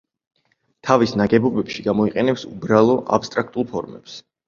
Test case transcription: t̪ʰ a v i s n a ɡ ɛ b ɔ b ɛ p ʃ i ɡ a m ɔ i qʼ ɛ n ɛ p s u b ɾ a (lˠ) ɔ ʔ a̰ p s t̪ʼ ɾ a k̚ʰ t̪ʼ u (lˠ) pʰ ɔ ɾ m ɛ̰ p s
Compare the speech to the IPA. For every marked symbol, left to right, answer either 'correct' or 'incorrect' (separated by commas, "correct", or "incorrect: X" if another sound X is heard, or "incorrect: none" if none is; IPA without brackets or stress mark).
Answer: correct, correct